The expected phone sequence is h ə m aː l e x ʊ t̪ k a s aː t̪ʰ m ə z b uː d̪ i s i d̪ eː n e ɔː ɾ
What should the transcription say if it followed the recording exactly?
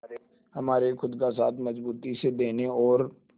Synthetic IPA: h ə m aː ɾ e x ʊ d̪ k a s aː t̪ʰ m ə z b uː t̪ i s e d̪ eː n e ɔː ɾ